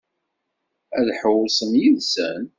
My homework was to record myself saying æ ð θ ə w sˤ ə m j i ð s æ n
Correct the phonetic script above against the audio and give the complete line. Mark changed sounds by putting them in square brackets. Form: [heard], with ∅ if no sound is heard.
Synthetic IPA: æ ð [ħ] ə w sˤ ə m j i ð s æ n